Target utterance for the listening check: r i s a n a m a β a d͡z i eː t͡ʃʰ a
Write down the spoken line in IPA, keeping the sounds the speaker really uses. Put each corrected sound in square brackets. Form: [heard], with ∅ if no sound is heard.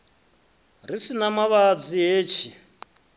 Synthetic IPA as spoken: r i s [i] n a m a β a d͡z i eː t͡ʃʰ [i]